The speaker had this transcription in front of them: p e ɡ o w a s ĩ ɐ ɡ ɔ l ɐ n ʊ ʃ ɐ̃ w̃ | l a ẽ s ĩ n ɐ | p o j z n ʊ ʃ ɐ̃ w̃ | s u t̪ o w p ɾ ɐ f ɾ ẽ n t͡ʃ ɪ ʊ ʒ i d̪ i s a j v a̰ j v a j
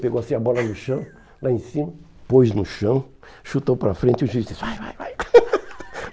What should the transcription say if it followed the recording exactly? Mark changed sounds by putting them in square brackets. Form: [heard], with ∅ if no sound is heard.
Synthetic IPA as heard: p e ɡ o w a s ĩ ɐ [b] ɔ l ɐ n ʊ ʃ ɐ̃ w̃ | l a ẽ s ĩ [m] ɐ | p o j z n ʊ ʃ ɐ̃ w̃ | [ʃ] u t̪ o w p ɾ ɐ f ɾ ẽ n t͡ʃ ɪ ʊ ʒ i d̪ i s a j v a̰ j v a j